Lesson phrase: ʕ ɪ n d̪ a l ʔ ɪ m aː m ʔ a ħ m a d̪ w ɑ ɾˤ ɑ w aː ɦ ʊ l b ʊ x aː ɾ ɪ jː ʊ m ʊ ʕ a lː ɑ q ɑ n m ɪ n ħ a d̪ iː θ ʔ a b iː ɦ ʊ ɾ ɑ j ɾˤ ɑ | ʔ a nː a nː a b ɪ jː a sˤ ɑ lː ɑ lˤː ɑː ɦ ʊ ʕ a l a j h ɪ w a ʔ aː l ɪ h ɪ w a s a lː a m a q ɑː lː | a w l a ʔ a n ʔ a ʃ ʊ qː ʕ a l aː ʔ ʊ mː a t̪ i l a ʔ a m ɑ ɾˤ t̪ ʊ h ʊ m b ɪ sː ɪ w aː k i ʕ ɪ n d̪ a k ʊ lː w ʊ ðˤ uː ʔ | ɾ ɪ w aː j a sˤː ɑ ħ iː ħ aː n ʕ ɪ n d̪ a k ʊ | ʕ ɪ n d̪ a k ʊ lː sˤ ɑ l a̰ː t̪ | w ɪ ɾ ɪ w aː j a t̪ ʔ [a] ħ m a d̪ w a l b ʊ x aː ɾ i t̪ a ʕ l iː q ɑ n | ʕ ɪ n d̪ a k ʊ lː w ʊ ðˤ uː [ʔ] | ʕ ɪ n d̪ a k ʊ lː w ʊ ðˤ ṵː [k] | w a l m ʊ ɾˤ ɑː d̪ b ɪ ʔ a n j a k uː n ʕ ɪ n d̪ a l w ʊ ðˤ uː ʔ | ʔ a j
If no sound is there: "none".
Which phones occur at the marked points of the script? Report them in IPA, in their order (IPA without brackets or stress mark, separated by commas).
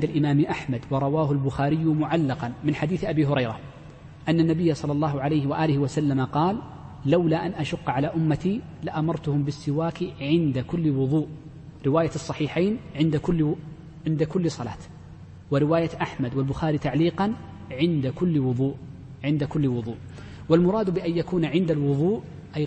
a, ʔ, ʔ